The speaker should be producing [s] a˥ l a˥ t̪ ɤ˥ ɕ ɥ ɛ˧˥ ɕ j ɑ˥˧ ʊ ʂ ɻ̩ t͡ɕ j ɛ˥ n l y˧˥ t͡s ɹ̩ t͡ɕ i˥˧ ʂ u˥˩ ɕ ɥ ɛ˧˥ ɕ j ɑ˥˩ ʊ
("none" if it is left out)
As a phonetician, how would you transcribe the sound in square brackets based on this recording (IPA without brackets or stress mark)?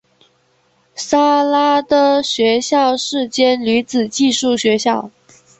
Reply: s